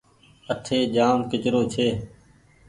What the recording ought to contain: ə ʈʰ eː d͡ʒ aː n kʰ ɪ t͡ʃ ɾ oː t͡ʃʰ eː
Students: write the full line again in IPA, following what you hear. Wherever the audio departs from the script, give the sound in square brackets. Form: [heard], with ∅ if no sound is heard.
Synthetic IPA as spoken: ə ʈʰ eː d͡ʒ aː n [k] ɪ t͡ʃ ɾ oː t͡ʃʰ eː